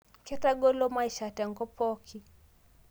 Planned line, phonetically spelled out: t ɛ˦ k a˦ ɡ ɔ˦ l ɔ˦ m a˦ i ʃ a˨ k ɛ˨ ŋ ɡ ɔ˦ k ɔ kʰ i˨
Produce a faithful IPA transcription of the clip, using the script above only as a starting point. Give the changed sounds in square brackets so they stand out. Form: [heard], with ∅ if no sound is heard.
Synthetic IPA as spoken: [k] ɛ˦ [t] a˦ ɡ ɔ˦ l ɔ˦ m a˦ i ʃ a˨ [t] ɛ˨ ŋ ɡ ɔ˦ [p] ɔ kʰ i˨